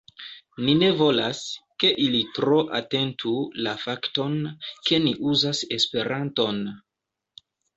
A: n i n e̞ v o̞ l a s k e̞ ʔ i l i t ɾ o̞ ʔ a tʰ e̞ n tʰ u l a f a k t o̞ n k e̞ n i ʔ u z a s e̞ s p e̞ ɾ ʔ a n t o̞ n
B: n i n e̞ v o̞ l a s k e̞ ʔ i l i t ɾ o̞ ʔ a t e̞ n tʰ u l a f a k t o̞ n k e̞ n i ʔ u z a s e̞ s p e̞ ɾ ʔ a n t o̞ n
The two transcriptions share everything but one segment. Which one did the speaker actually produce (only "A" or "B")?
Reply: B